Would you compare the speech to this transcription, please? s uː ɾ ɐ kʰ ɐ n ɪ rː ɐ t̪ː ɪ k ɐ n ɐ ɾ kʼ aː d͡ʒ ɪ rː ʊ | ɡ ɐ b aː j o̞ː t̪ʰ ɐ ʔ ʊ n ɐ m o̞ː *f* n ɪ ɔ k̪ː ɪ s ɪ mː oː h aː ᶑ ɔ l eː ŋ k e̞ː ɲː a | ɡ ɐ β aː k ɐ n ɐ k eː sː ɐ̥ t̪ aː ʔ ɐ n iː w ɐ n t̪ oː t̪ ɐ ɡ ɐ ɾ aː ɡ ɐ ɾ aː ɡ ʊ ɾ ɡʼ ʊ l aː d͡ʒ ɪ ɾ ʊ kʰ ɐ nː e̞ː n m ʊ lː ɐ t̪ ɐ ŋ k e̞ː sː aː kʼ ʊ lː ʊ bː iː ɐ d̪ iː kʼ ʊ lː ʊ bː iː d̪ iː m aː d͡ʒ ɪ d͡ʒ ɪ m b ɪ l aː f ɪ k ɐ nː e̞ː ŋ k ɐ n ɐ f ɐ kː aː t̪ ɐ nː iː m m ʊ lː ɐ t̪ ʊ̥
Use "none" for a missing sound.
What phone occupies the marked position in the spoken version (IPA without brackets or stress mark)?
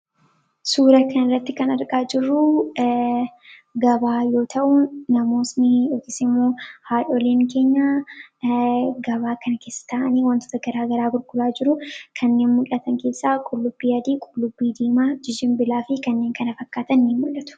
s